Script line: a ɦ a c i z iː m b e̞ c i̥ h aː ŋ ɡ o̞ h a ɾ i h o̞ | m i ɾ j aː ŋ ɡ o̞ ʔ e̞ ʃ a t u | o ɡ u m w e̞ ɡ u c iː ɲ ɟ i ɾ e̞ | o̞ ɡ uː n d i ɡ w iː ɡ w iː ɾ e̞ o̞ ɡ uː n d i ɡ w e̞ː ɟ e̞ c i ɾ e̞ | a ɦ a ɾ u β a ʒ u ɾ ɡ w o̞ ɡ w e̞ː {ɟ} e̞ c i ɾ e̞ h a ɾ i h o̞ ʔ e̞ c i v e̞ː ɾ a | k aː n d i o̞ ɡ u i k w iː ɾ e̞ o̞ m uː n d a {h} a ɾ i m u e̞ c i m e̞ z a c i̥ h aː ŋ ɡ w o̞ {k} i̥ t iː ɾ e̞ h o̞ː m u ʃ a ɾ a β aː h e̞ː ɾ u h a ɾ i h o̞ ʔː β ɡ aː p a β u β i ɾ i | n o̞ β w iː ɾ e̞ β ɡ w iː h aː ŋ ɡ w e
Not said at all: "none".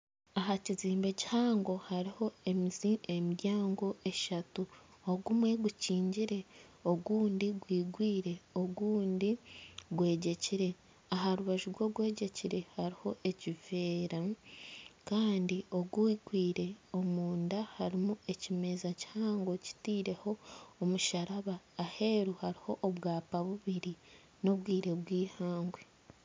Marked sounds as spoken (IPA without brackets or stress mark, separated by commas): ɟ, h, c